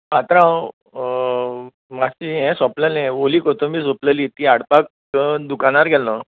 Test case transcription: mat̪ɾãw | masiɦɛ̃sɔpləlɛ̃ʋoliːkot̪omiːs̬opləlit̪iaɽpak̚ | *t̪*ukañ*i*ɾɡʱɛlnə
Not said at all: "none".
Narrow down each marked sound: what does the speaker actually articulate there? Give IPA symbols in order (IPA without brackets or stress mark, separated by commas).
d̪, a